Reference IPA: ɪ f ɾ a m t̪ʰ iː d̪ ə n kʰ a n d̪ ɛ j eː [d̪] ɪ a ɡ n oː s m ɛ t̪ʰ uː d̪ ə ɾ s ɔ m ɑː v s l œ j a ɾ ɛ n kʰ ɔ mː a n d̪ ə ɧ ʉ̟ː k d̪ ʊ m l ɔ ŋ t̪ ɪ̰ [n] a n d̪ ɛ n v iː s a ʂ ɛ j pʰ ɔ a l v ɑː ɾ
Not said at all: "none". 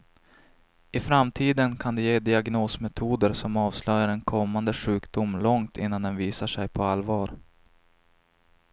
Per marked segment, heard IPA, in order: d̪, nː

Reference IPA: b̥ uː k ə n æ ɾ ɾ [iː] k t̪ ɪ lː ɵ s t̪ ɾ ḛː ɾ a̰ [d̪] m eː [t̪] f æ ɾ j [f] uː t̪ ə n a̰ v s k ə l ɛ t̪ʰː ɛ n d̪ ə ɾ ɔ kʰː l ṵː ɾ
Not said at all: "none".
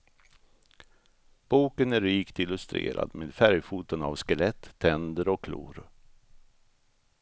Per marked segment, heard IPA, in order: iː, d̪, d̪, f

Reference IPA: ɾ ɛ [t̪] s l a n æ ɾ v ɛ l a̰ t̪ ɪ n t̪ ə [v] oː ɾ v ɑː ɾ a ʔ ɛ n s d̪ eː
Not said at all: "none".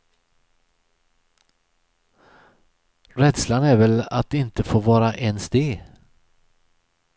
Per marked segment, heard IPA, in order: d̪, f

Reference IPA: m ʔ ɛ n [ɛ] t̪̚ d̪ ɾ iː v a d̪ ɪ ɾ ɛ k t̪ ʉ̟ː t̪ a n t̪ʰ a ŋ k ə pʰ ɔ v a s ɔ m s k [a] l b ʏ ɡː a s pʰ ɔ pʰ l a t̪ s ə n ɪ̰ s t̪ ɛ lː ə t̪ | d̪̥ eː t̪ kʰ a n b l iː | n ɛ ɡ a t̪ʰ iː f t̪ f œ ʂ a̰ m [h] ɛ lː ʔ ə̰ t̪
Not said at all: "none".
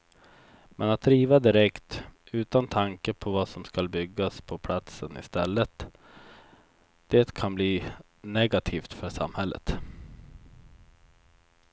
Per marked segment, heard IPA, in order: a, a, h

